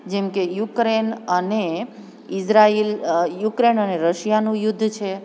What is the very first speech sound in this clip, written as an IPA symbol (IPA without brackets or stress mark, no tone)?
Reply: d͡ʒ